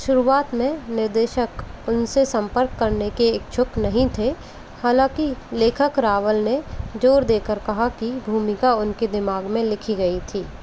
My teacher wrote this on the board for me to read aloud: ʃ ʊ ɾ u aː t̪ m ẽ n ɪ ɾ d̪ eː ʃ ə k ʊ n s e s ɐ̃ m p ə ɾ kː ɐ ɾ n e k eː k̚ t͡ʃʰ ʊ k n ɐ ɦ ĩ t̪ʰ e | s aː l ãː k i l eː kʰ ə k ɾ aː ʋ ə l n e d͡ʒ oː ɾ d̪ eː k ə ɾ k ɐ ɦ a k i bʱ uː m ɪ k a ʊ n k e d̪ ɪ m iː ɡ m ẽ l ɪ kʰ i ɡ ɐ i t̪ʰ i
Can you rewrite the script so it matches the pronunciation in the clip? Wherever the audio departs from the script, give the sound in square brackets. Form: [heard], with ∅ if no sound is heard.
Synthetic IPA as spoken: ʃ ʊ ɾ u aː t̪ m ẽ n ɪ ɾ d̪ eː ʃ ə k ʊ n s e s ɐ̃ m p ə ɾ kː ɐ ɾ n e k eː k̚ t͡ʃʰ ʊ k n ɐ ɦ ĩ t̪ʰ e | [h] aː l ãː k i l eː kʰ ə k ɾ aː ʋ ə l n e d͡ʒ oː ɾ d̪ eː k ə ɾ k ɐ ɦ a k i bʱ uː m ɪ k a ʊ n k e d̪ ɪ m [aː] ɡ m ẽ l ɪ kʰ i ɡ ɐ i t̪ʰ [iː]